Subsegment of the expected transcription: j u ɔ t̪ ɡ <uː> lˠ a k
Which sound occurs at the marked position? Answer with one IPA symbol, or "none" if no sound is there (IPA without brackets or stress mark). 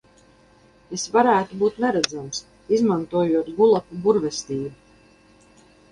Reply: u